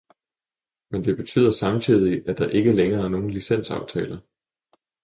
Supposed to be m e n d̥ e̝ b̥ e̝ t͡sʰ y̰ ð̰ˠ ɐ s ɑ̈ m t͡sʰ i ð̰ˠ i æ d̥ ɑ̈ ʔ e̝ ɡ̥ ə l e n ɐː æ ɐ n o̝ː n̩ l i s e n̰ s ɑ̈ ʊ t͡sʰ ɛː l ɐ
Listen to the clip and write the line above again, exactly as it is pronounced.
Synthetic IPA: m e n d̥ e̝ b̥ e̝ t͡sʰ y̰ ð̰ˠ ɐ s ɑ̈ m t͡sʰ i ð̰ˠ i æ d̥ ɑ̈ ʔ e̝ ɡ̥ ə l e ŋ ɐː æ ɐ n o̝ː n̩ l i s e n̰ s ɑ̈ ʊ t͡sʰ ɛː l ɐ